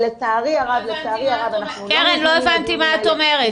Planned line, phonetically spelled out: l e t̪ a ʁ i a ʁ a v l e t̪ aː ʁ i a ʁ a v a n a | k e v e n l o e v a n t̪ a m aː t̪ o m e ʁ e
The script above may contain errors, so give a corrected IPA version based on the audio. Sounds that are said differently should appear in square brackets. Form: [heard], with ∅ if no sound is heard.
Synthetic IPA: l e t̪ a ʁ i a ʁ a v l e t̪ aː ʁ i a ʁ a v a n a | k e [ʁ] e n l o e v a n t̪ [i] m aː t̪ o m e ʁ e

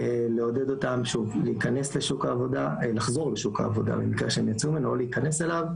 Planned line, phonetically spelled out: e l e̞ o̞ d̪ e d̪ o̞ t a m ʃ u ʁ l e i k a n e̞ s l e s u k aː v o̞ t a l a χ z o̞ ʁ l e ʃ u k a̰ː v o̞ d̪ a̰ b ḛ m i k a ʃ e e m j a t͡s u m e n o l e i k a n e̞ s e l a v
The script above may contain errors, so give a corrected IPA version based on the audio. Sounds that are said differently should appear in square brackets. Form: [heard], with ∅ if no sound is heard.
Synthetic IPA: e l e̞ o̞ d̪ e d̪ o̞ t a m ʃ u [v] l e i k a n e̞ s l e [ʃ] u k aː v o̞ [d] a l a χ z o̞ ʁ l e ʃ u k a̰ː v o̞ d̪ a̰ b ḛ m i k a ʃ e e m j a t͡s u m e n o l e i k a n e̞ s e l a v

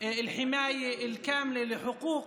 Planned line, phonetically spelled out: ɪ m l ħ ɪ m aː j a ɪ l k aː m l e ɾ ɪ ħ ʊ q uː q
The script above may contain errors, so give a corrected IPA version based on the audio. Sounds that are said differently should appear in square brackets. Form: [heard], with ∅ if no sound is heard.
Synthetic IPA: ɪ [∅] l ħ ɪ m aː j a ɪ l k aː m l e [l] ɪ ħ ʊ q uː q

